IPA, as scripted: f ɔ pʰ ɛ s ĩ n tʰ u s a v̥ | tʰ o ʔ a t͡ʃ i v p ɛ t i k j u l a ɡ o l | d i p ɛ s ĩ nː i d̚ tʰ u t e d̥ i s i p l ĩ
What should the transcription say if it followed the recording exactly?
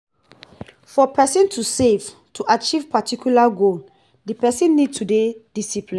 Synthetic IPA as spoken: f ɔ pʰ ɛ s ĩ n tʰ u s e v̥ | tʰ u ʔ a t͡ʃ i v p a t i k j u l a ɡ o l | d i p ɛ s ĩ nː i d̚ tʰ u d e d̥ i s i p l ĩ